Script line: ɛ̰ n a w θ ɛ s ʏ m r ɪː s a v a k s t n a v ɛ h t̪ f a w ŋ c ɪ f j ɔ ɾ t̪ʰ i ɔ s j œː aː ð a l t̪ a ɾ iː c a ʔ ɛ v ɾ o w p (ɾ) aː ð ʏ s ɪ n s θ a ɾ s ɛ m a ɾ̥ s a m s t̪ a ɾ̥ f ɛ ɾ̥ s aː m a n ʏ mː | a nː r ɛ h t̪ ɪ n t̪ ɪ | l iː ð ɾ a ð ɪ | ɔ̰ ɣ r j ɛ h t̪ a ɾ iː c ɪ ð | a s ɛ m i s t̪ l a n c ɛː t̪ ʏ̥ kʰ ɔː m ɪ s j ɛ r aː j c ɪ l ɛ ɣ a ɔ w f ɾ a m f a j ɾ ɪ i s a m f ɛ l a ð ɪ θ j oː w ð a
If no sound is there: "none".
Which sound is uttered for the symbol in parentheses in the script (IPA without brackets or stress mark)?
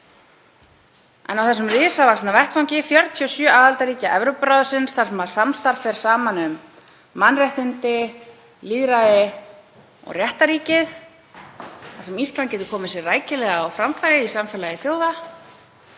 ɾ